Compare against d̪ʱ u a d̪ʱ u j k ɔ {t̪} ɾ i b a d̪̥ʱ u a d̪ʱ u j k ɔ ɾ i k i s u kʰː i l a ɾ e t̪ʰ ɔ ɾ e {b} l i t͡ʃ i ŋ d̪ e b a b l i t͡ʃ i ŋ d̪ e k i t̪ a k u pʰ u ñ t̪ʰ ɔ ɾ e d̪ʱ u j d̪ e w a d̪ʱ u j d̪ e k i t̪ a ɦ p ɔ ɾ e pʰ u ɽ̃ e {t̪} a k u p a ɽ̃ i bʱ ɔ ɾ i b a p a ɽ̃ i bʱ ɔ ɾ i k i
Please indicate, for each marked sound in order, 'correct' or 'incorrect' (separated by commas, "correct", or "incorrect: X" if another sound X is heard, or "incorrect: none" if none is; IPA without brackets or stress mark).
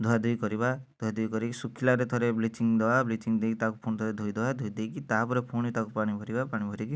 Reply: incorrect: none, correct, correct